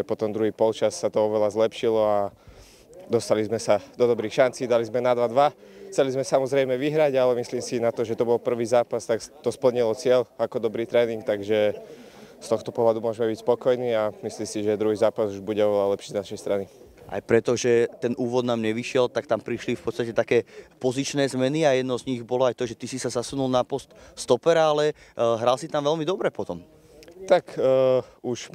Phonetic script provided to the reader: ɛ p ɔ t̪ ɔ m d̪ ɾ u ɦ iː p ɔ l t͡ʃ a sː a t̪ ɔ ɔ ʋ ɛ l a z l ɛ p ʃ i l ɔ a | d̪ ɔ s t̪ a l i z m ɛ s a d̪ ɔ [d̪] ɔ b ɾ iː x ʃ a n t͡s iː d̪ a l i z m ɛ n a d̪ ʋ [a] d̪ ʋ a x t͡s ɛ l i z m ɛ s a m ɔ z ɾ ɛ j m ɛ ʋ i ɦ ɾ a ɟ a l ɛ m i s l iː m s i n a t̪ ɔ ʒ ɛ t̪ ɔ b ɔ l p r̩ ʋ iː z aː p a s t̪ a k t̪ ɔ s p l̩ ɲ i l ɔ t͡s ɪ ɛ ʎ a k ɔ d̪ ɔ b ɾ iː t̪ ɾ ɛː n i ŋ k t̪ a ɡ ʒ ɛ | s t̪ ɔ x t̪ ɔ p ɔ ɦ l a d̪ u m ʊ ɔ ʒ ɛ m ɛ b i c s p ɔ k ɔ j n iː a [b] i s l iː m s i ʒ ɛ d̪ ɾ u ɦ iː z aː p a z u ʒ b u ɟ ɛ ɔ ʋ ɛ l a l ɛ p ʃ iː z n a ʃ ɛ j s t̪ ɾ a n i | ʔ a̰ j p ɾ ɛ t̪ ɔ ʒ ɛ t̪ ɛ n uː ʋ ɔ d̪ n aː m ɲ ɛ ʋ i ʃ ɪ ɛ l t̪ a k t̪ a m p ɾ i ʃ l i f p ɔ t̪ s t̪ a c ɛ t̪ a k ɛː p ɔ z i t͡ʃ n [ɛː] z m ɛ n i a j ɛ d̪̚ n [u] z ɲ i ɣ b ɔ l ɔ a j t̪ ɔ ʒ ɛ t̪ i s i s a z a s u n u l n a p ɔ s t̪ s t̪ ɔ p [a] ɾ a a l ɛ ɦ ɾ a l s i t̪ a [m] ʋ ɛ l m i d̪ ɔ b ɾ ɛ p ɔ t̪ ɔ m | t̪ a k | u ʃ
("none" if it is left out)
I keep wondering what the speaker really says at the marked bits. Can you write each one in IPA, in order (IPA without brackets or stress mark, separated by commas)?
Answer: d̪, a, m, ɛː, ɔ, ɛ, m